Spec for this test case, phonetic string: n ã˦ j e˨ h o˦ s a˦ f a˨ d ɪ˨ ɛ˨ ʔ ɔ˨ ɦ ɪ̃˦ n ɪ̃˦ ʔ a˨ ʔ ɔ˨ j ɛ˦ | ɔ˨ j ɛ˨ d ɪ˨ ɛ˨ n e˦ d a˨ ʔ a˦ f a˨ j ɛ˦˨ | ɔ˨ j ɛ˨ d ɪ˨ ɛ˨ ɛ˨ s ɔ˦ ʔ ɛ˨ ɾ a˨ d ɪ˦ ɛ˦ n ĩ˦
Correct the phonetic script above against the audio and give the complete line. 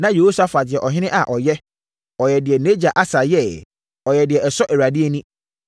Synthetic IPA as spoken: n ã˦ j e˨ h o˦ s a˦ f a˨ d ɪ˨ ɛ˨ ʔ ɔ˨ ɦ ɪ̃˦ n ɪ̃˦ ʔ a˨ ʔ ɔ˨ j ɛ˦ | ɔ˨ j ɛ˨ d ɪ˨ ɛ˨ n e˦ d͡ʑ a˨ ʔ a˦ s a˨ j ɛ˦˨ | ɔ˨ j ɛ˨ d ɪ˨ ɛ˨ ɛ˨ s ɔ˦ ʔ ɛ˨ ɾ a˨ d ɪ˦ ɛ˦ n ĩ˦